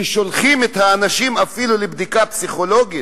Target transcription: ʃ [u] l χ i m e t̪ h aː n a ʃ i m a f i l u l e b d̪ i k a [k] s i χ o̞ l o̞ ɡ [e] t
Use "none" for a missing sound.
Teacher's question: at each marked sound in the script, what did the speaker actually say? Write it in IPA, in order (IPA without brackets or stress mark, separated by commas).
o, p, i